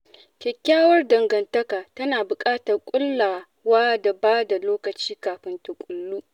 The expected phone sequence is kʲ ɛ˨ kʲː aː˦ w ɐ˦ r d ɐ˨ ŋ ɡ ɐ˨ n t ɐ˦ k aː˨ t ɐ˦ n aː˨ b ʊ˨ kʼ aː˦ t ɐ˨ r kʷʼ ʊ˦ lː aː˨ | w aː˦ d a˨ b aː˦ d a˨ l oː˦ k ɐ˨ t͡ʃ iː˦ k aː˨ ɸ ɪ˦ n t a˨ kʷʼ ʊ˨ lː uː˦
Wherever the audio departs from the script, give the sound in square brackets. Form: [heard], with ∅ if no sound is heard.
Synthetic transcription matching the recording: kʲ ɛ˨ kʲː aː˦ w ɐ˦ r d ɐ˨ ŋ ɡ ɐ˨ n t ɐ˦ k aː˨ t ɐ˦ n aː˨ b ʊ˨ kʼ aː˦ t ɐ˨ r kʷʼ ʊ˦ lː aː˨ | w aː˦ d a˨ b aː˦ d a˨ l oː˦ k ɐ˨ t͡ʃ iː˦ k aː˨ ɸ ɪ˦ n t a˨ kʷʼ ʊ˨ lː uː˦